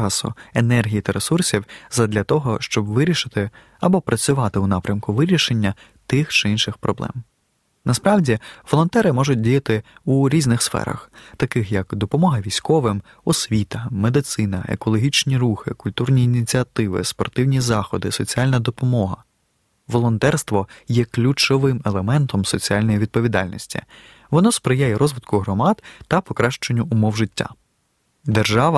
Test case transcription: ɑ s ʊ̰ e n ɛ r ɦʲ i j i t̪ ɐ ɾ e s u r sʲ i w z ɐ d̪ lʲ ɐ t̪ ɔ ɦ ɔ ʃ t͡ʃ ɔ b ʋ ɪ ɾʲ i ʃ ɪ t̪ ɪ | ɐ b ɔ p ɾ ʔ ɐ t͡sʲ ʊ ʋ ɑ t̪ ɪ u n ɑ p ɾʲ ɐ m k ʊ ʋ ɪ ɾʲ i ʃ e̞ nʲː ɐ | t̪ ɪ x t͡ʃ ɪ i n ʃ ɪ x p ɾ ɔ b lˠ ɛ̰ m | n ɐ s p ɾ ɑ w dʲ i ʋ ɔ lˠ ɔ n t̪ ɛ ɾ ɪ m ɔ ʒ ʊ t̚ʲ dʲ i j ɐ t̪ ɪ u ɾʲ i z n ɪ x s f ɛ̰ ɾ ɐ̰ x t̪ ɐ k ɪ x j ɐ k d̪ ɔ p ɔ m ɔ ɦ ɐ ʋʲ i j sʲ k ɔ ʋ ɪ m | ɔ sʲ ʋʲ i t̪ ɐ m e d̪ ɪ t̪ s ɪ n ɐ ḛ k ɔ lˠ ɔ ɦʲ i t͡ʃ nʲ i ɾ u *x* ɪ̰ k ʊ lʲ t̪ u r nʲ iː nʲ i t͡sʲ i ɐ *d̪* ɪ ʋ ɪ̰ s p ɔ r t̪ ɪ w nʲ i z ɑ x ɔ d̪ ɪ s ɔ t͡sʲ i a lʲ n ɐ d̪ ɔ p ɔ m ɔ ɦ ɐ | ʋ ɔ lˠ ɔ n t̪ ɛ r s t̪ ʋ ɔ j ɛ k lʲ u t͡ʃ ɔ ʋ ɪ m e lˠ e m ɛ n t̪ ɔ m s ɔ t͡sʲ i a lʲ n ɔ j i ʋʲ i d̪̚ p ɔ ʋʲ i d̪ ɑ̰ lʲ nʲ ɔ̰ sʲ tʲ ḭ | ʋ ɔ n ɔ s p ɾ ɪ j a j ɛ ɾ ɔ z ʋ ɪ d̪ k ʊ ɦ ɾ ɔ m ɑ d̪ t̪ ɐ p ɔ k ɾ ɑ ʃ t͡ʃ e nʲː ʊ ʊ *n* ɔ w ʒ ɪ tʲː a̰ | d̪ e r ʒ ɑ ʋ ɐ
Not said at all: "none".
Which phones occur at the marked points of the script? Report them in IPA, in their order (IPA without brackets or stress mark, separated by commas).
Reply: x, t̪, m